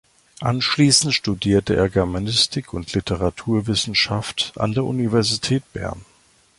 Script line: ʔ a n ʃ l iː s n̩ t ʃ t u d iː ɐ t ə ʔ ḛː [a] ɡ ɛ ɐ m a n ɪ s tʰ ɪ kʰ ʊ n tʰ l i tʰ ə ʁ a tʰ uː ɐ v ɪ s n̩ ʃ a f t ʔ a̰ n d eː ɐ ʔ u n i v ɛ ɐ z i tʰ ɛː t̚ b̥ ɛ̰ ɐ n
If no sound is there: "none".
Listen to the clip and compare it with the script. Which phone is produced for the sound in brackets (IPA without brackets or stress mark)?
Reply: ɐ